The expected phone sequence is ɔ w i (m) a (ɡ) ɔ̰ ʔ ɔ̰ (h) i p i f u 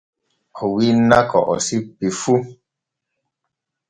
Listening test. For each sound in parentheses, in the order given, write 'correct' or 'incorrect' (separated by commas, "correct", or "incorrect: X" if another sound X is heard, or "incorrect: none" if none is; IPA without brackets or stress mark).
incorrect: n, incorrect: k, incorrect: s